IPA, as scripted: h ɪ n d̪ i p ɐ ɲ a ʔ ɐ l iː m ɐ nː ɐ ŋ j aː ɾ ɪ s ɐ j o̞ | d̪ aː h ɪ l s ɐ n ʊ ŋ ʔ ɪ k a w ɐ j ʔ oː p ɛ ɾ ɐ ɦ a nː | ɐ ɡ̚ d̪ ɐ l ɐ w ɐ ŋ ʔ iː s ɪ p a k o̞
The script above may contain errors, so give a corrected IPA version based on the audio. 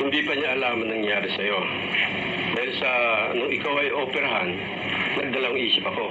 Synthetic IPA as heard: h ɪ n d̪ i p ɐ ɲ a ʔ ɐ l aː m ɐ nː ɐ ŋ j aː ɾ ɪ s ɐ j o̞ | d̪ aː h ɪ l s ɐ n ʊ ŋ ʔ ɪ k a w ɐ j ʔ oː p ɛ ɾ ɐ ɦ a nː | ɐ ɡ̚ d̪ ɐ l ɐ w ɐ ŋ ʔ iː s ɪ p ɐ k o̞

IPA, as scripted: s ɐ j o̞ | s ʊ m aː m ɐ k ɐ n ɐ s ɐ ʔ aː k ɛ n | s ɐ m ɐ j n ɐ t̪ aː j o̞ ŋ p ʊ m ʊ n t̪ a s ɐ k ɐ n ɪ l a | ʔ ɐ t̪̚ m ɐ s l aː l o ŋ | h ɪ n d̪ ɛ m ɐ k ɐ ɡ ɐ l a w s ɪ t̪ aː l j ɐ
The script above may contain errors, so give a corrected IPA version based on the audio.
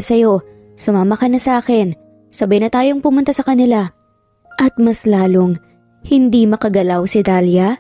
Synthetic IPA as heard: s ɐ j o̞ | s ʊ m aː m ɐ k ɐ n ɐ s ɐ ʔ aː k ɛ n | s ɐ b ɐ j n ɐ t̪ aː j o̞ ŋ p ʊ m ʊ n t̪ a s ɐ k ɐ n ɪ l a | ʔ ɐ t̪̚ m ɐ s l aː l o ŋ | h ɪ n d̪ i m ɐ k ɐ ɡ ɐ l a w s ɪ d̪ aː l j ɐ

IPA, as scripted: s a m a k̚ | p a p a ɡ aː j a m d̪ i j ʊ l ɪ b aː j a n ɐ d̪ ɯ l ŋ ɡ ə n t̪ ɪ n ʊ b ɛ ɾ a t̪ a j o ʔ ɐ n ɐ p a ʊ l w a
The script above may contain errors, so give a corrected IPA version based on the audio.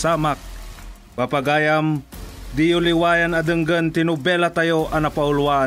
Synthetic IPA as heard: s a m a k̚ | p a p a ɡ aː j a m d̪ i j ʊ l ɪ w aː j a n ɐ d̪ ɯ ŋ ɡ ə n t̪ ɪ n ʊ b ɛ l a t̪ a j o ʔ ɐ n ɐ p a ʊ l w a

